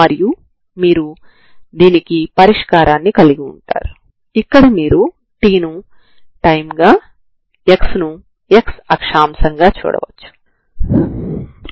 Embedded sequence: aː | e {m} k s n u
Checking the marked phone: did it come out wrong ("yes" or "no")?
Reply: yes